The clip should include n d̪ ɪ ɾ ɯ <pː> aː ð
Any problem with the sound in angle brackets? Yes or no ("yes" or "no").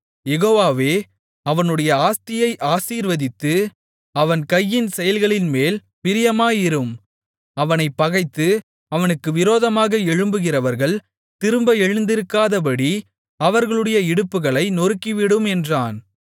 yes